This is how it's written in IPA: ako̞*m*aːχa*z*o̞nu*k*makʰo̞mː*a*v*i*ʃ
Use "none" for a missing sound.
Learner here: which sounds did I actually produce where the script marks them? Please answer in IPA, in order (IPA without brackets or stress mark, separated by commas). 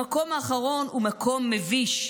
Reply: m, ʁ, none, e, i